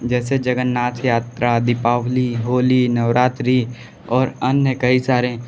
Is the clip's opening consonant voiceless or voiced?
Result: voiced